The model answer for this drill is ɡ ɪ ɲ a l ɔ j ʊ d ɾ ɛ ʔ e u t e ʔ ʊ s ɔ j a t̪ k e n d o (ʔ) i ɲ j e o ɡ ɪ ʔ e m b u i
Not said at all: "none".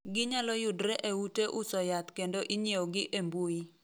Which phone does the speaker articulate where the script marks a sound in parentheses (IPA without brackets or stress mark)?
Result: ʔ